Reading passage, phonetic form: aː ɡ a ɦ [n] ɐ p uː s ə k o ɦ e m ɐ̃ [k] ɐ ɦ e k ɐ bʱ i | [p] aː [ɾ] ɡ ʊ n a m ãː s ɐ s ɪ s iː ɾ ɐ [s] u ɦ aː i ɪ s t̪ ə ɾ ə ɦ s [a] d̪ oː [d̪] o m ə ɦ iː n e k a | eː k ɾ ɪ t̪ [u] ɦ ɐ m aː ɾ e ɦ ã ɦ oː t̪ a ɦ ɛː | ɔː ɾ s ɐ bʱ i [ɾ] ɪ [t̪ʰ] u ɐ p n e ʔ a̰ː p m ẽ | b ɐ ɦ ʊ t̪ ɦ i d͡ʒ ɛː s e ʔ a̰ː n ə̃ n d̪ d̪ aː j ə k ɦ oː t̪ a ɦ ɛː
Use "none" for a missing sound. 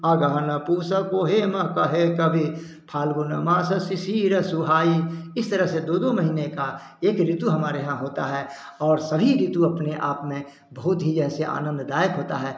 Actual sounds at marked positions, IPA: n, k, pʰ, l, s, e, d̪, u, ɾ, t̪

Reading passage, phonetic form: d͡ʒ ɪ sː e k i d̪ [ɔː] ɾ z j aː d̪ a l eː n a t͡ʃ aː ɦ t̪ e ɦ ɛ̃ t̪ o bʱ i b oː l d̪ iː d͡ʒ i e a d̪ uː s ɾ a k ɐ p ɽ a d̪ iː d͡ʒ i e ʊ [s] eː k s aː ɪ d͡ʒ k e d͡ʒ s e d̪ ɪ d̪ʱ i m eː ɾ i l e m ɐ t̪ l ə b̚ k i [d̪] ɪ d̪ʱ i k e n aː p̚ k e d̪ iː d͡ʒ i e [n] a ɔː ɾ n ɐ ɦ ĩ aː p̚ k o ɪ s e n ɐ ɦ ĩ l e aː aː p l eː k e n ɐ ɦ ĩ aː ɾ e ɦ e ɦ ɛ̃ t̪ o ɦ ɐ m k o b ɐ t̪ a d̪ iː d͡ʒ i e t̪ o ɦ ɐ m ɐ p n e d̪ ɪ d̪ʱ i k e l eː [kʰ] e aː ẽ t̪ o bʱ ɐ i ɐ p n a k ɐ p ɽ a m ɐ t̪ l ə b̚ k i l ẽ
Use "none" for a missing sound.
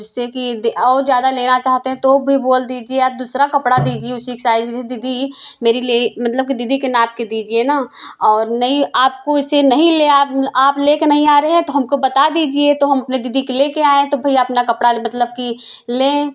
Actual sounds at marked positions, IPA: ɔː, s, d̪, n, k

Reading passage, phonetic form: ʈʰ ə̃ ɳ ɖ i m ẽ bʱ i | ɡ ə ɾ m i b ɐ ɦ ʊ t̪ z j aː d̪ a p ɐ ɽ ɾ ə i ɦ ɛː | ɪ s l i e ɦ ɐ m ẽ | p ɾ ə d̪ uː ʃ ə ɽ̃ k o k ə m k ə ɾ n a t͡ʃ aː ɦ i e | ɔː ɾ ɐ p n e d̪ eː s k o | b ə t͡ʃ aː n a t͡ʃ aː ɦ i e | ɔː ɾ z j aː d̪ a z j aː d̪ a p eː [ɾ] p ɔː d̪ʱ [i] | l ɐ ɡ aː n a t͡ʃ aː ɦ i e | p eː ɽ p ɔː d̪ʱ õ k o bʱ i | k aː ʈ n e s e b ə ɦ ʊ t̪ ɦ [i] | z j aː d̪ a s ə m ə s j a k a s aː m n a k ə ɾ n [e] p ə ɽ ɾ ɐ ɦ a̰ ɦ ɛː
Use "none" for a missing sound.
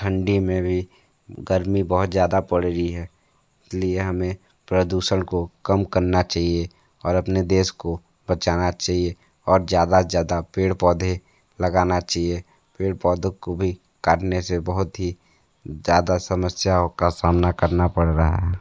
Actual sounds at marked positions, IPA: ɽ, e, i, a

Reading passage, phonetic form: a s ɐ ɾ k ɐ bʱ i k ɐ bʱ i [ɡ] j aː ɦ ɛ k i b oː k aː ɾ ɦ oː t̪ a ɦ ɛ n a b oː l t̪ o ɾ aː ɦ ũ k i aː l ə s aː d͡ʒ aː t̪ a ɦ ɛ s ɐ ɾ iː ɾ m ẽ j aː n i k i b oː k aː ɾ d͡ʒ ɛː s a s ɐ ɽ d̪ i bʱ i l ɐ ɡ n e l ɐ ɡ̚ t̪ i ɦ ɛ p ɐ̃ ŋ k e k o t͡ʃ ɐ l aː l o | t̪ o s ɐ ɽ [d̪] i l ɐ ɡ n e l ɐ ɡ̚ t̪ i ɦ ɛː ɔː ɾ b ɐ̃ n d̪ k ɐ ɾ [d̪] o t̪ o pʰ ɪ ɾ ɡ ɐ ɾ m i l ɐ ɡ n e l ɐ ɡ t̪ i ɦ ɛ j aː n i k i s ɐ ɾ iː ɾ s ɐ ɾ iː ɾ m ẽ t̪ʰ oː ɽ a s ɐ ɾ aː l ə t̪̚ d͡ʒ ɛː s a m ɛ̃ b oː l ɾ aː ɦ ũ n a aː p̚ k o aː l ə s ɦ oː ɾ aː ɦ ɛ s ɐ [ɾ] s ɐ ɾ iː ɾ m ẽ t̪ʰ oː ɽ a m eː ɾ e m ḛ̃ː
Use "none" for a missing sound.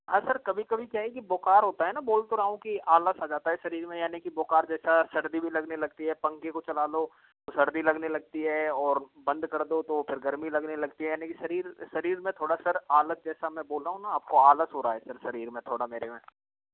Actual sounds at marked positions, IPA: k, d̪, d̪, ɾ

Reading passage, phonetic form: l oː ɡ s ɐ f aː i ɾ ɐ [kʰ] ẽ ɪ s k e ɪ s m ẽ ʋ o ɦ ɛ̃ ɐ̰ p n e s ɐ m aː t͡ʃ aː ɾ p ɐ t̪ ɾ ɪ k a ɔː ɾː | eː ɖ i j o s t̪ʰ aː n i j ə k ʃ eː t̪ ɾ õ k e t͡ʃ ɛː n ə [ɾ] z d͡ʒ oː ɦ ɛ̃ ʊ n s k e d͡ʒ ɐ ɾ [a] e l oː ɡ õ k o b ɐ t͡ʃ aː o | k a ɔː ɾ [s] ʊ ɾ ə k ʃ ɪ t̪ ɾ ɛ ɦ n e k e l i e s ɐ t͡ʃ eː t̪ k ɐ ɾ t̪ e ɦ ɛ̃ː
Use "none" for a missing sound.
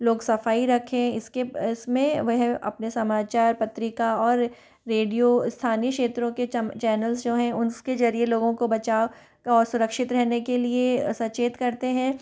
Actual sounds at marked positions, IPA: kʰ, l, i, s

